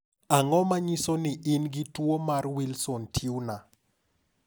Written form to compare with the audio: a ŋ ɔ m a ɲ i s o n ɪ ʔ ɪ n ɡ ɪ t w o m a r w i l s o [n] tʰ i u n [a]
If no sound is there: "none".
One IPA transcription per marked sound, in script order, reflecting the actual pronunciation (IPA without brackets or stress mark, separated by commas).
n, a